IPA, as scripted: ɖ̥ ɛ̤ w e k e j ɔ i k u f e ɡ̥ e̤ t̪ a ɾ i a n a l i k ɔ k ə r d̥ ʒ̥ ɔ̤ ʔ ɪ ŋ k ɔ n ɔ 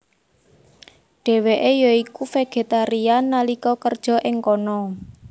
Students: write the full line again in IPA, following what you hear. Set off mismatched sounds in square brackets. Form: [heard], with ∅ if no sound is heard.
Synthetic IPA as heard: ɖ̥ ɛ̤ w e [ʔ] e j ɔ i k u f e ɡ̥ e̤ t̪ a ɾ i a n a l i k ɔ k ə r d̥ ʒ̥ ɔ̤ ʔ ɪ ŋ k ɔ n ɔ